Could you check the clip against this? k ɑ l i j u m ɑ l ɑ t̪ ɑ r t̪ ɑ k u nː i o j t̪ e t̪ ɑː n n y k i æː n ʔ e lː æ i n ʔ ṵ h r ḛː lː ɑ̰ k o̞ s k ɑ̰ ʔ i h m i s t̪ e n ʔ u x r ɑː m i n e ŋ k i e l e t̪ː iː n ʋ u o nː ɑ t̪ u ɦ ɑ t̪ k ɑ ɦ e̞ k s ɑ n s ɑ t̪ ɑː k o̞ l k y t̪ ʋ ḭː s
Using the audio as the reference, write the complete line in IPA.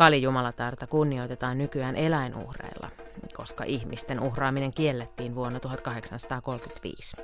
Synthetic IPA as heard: k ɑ l i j u m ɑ l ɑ t̪ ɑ r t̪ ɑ k u nː i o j t̪ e t̪ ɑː n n y k y æː n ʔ e l æ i n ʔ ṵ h r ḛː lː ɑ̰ k o̞ s k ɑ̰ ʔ i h m i s t̪ e n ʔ u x r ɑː m i n e ŋ k i e lː e t̪ː iː n ʋ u o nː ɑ t̪ u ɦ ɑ t̪ k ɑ ɦ e̞ k s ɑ n s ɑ t̪ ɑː k o̞ l k y t̪ ʋ ḭː s